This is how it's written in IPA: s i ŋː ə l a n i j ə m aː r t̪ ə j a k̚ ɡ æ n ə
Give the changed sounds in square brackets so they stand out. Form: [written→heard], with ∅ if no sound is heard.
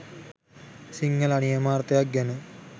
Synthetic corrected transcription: s i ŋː ə l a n i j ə m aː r t̪ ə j a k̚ ɡ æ n ə